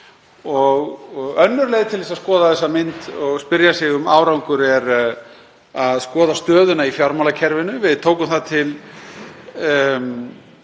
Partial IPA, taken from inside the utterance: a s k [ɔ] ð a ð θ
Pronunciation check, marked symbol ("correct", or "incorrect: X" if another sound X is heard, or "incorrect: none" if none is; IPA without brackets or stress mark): incorrect: ɔː